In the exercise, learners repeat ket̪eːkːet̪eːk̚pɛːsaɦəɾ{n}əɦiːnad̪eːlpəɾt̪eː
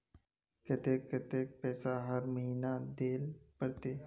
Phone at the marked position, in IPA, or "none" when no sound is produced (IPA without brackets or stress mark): m